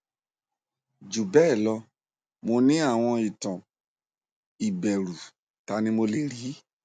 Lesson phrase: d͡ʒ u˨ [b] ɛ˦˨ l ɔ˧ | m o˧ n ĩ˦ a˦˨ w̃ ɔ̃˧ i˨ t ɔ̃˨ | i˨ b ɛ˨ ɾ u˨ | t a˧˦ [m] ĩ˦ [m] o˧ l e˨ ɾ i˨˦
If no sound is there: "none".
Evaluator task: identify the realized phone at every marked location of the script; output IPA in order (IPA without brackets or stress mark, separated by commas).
b, n, m